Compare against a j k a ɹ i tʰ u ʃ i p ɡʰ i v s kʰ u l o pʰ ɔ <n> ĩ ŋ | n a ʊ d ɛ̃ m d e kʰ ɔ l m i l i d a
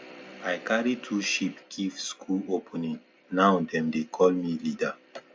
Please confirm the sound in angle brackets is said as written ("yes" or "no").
yes